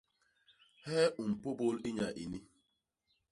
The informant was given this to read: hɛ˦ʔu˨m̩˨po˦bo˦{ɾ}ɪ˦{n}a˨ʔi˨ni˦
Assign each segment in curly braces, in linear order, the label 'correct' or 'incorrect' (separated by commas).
incorrect, incorrect